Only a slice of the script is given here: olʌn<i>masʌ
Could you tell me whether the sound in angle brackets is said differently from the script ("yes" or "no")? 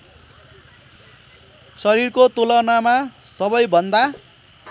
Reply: yes